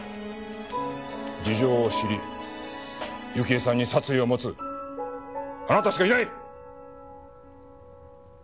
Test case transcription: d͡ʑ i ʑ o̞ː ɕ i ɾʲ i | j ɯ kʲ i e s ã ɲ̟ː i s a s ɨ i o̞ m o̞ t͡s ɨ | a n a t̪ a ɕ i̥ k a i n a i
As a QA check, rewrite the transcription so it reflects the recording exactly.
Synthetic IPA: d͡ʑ i ʑ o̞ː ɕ i ɾʲ i | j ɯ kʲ i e s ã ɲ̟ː i s a t͡s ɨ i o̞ m o̞ t͡s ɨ | a n a t̪ a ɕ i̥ k a i n a i